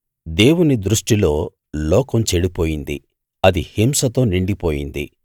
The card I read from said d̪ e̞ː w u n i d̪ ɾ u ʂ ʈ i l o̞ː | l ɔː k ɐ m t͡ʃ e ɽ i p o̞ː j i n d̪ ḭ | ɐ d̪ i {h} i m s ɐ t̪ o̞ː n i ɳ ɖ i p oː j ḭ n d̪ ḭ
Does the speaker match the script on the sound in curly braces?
yes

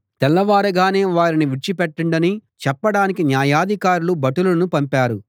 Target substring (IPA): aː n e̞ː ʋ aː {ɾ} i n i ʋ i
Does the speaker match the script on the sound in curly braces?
yes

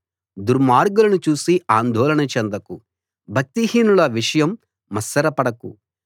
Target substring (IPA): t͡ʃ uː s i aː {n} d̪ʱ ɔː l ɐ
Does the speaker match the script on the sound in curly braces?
yes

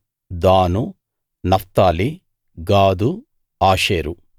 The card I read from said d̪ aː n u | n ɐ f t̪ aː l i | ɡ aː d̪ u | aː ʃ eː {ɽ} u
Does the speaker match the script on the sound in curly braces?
no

